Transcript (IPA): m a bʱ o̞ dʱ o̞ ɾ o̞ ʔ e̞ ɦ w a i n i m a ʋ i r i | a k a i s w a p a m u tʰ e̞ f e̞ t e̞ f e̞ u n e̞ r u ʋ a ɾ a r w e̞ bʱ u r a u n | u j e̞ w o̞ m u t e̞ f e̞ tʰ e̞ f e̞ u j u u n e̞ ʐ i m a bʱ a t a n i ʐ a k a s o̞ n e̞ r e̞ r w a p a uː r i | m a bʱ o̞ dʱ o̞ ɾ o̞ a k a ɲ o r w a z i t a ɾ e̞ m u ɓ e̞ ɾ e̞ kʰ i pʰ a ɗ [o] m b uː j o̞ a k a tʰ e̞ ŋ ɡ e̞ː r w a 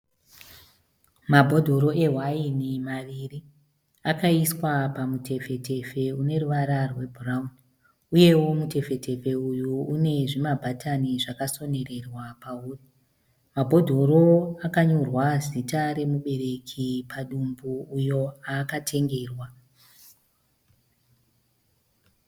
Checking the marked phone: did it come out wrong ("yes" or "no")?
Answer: yes